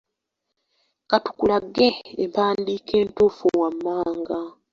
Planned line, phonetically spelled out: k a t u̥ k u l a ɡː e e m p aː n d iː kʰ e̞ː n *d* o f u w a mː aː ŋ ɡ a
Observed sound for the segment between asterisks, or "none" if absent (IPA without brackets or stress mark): t